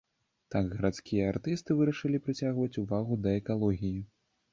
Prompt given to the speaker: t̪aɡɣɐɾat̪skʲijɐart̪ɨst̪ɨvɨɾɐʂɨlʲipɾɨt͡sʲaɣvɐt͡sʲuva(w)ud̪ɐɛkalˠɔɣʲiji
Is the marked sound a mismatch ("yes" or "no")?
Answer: yes